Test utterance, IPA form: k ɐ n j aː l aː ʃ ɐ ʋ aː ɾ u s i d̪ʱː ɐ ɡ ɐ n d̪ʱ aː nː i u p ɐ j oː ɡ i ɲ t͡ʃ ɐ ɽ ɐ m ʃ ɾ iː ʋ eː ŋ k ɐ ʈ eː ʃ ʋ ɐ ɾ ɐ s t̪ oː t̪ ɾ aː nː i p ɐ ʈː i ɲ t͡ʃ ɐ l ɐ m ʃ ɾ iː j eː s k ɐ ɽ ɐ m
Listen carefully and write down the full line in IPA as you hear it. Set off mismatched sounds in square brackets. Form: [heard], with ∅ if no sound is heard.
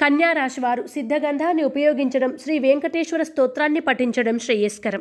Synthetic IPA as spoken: k ɐ n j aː [ɾ] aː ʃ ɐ ʋ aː ɾ u s i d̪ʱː ɐ ɡ ɐ n d̪ʱ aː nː i u p ɐ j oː ɡ i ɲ t͡ʃ ɐ ɽ ɐ m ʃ ɾ iː ʋ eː ŋ k ɐ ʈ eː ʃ ʋ ɐ ɾ ɐ s t̪ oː t̪ ɾ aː nː i p ɐ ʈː i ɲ t͡ʃ ɐ [ɽ] ɐ m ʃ ɾ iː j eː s k ɐ [ɾ] ɐ m